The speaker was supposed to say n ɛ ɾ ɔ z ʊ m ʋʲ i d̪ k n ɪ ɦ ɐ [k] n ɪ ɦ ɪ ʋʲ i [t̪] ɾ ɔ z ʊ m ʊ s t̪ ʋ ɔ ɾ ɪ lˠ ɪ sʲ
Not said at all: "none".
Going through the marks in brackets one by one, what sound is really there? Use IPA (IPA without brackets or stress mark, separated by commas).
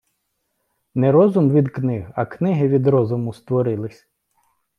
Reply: k, d̪